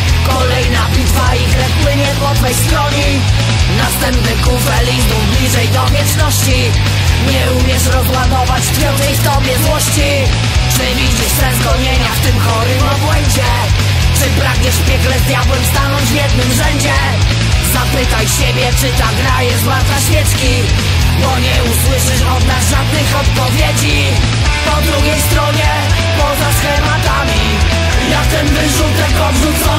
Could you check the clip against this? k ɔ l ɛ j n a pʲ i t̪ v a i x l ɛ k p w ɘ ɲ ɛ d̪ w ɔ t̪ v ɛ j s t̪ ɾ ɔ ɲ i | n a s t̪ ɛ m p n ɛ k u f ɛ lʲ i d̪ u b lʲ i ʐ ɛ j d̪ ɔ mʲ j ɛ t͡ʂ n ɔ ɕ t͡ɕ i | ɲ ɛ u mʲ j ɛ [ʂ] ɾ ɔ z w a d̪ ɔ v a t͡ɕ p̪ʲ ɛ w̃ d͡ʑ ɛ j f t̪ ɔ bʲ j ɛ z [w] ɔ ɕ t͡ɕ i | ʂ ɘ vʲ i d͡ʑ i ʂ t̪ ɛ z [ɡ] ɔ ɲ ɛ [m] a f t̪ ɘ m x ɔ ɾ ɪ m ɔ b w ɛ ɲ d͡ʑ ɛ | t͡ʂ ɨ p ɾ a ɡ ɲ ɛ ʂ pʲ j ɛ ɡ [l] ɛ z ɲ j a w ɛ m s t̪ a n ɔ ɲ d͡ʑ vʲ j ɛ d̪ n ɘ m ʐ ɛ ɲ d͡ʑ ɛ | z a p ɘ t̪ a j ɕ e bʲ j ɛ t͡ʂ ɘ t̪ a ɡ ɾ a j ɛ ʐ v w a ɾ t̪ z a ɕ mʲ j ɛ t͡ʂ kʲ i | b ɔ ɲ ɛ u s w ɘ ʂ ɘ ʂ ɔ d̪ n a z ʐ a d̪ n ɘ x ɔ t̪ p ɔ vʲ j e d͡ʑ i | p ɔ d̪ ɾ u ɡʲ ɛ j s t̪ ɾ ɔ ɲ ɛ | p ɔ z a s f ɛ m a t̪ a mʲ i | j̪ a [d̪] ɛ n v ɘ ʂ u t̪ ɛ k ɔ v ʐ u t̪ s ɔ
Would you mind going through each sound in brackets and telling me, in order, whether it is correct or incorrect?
correct, correct, correct, incorrect: ɲ, correct, incorrect: t̪

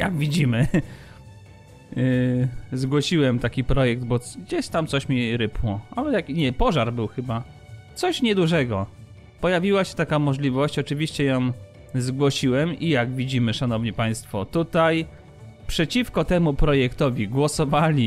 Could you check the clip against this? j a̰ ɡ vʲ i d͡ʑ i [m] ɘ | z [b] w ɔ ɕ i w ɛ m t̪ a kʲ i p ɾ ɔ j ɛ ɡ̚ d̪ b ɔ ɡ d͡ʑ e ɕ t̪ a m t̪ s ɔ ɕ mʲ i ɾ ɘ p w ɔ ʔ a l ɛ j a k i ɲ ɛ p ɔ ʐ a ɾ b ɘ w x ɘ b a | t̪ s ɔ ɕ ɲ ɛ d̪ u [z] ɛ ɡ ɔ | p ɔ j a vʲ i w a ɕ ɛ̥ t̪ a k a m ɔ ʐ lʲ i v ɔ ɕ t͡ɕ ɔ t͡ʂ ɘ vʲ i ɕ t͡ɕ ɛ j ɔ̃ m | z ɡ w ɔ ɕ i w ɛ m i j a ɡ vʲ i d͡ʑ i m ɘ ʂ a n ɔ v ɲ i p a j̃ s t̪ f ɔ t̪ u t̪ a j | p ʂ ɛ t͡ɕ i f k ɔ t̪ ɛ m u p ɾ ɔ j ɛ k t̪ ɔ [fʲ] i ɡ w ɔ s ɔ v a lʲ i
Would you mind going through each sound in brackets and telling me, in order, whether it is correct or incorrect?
correct, incorrect: ɡ, incorrect: ʐ, incorrect: vʲ

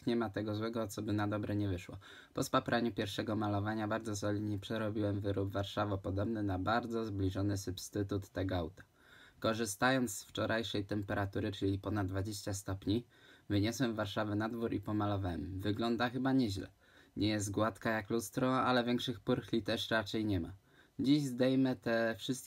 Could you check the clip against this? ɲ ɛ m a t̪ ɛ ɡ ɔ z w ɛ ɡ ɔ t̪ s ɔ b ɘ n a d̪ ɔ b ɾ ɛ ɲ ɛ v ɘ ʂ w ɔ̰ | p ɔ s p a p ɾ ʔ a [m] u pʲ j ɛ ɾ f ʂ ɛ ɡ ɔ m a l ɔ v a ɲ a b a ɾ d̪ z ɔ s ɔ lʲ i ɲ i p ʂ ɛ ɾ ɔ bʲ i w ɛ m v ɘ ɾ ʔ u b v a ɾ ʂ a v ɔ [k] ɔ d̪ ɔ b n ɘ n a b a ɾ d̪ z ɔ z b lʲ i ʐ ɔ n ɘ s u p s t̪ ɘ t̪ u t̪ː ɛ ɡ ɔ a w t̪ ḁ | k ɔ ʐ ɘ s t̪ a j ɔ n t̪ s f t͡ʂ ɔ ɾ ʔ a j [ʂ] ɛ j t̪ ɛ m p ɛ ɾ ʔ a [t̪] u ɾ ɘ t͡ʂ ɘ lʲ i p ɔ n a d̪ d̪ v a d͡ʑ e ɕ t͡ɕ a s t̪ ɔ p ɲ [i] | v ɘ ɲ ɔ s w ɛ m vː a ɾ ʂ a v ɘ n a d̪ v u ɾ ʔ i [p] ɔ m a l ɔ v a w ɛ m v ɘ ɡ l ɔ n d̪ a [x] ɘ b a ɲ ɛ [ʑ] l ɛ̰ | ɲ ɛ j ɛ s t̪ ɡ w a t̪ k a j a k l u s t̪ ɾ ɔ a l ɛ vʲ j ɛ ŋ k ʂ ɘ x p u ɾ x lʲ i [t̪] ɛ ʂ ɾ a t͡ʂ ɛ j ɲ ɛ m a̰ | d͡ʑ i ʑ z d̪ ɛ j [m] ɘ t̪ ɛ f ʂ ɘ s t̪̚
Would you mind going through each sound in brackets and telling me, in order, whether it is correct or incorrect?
incorrect: ɲ, incorrect: p, correct, correct, correct, correct, correct, correct, correct, correct

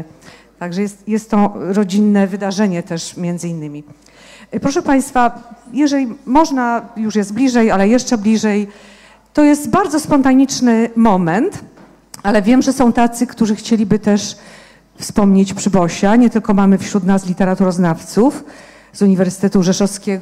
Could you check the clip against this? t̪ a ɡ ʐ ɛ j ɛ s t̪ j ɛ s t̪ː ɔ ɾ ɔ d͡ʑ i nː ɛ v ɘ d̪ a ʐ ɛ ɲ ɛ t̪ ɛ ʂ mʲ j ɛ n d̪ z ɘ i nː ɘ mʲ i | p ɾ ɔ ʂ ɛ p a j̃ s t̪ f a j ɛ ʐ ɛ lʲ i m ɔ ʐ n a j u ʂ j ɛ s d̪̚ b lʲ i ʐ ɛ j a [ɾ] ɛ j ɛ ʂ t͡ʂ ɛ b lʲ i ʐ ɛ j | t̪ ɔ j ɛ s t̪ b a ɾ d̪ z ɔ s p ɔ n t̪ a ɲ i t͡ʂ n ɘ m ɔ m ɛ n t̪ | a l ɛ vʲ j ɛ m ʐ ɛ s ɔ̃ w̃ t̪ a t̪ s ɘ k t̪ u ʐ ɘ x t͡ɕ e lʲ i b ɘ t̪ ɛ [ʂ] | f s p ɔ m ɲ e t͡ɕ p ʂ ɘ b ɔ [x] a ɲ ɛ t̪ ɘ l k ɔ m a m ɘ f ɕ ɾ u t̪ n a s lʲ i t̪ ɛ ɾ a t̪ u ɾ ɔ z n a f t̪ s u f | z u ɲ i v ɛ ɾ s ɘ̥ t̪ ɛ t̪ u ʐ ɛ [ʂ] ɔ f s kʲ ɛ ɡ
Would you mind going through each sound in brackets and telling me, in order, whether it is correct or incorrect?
incorrect: l, correct, incorrect: ɕ, correct

